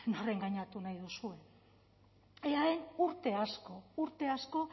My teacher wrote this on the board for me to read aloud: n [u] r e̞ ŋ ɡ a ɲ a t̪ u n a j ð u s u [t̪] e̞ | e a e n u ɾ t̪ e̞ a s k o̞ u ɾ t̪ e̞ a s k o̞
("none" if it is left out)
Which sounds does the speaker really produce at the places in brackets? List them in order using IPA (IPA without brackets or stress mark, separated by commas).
o, none